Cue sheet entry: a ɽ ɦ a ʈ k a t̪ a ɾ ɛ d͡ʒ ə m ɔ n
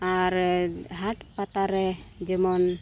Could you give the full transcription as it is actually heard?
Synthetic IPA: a ɾ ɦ a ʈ p a t̪ a ɾ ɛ d͡ʒ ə m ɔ n